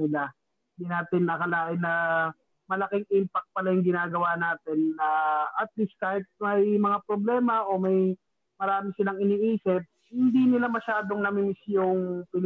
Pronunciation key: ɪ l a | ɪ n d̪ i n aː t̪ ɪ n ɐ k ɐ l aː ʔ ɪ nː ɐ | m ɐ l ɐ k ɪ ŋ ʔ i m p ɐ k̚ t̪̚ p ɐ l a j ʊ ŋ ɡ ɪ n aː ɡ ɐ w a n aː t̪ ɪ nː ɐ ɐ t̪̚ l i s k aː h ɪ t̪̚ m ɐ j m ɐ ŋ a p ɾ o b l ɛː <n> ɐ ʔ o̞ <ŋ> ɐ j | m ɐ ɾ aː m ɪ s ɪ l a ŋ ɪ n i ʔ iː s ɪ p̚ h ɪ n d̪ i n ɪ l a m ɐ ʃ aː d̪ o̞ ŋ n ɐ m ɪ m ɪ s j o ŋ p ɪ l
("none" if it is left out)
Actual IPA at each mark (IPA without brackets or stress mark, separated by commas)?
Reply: m, m